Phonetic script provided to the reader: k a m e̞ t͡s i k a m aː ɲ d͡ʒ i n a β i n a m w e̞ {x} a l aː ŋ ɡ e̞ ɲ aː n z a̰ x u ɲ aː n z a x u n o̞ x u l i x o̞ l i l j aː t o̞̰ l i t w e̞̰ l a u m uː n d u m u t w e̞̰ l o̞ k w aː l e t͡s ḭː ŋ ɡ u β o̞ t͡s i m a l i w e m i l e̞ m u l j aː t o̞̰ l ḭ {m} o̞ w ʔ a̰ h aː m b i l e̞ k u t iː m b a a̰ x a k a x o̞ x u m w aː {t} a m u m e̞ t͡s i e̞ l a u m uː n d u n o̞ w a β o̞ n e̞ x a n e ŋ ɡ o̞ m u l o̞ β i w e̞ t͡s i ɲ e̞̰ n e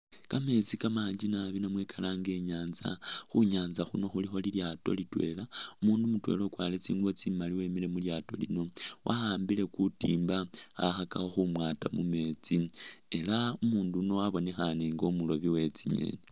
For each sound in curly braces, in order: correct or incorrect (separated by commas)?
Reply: incorrect, incorrect, correct